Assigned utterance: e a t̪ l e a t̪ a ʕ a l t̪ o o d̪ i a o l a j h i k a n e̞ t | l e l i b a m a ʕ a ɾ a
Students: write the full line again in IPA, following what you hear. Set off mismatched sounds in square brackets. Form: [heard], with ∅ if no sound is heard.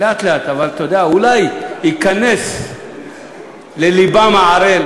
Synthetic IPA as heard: e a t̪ l e a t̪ a [v] a l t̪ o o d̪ [e] a [u] l a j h i k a n e̞ [s] | l e l i b a m a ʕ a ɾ [e]